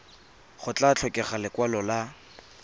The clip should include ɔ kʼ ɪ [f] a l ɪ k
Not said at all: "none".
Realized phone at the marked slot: χ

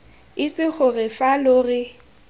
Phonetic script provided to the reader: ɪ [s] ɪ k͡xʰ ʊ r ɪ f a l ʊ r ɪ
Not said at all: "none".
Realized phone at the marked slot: s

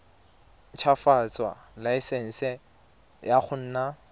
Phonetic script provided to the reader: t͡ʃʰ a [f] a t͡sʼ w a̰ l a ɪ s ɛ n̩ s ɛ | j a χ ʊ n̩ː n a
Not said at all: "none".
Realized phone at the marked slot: f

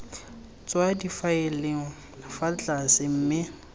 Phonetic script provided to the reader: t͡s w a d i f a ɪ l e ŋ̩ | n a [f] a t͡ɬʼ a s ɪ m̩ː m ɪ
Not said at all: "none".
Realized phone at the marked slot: f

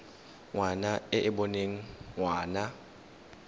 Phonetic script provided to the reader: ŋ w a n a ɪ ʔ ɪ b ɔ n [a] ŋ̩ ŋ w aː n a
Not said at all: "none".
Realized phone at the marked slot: e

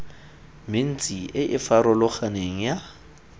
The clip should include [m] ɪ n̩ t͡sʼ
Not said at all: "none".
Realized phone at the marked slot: m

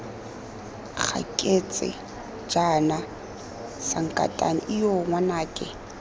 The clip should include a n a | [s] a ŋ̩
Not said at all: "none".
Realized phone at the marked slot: s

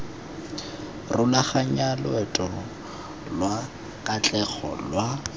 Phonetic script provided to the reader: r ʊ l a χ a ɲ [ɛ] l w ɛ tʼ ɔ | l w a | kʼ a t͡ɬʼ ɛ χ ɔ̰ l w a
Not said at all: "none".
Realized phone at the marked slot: a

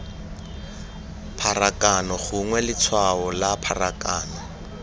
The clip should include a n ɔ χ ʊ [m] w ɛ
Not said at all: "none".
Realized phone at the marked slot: ŋ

